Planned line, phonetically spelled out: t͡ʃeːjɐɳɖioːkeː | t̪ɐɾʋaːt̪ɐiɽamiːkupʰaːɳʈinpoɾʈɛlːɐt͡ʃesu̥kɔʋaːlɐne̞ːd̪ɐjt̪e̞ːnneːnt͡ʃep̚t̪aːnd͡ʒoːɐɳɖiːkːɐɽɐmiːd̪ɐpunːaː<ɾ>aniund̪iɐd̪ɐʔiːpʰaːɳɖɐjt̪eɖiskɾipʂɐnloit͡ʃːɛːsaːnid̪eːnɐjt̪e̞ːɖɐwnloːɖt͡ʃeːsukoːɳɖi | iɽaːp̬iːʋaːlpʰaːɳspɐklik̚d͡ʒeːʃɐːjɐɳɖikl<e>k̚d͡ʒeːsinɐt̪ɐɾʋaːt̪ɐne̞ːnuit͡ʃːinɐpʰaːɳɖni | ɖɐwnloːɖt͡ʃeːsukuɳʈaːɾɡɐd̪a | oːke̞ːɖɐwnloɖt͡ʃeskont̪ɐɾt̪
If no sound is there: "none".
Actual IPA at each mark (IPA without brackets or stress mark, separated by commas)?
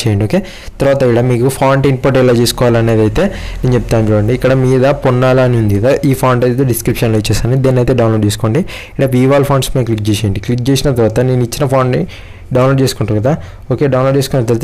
l, i